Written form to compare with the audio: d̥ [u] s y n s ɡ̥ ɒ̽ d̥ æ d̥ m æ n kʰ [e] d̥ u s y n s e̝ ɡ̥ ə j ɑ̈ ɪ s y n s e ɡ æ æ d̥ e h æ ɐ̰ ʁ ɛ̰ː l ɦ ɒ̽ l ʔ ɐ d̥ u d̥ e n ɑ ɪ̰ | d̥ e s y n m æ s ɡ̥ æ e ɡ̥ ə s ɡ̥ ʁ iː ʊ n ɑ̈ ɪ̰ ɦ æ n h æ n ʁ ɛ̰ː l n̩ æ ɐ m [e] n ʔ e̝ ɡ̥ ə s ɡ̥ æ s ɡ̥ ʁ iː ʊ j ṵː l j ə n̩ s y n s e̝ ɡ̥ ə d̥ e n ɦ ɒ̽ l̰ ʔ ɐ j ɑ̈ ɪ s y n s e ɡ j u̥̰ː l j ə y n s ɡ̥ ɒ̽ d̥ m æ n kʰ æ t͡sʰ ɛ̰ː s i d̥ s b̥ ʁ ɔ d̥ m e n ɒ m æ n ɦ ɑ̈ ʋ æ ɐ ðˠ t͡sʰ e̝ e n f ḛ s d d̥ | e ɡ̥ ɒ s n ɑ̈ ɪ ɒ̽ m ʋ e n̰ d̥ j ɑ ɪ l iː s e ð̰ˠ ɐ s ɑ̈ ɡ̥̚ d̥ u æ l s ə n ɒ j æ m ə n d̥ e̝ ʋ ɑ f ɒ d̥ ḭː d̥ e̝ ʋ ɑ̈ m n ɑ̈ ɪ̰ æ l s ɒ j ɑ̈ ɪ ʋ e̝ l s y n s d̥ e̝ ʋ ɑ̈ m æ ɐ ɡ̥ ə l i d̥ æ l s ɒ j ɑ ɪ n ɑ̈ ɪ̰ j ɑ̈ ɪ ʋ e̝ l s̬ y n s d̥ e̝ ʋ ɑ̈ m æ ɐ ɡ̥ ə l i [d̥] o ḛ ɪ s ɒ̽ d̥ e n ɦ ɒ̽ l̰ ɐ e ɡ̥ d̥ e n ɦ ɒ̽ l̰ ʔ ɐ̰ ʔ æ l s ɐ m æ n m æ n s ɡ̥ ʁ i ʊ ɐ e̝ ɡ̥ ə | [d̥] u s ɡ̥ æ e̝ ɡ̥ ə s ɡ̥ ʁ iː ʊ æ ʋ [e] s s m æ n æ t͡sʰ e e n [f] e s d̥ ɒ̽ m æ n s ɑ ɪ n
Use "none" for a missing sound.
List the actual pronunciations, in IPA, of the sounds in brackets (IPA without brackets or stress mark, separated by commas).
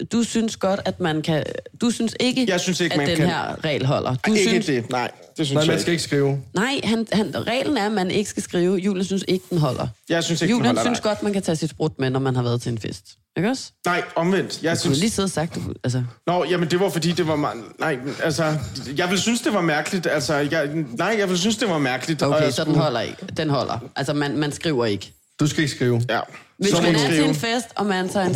u, æ, æ, d̥, d̥, e, f